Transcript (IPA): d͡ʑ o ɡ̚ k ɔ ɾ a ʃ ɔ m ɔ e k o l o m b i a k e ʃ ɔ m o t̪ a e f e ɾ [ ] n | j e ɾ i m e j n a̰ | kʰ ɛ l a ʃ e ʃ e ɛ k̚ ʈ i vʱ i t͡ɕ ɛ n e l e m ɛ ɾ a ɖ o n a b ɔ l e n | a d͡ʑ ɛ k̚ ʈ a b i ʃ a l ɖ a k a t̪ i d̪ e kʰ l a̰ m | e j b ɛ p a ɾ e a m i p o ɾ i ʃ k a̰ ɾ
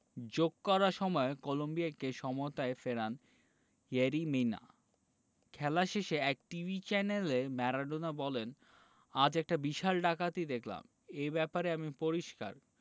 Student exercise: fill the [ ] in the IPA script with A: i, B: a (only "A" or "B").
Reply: B